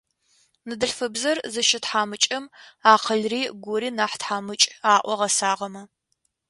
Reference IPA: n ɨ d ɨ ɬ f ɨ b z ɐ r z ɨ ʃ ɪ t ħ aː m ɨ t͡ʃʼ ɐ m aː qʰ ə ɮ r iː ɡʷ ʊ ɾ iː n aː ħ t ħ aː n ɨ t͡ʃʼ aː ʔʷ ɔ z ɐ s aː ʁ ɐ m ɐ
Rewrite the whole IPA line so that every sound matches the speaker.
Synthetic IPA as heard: n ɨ d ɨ ɬ f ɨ b z ɐ r z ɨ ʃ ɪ t ħ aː m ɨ t͡ʃʼ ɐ m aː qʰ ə ɮ r iː ɡʷ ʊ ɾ iː n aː ħ t ħ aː m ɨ t͡ʃʼ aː ʔʷ ɔ ʁ ɐ s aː ʁ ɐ m ɐ